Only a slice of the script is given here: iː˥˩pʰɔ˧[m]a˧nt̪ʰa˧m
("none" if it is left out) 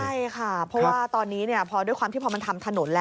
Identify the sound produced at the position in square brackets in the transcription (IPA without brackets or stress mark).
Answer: m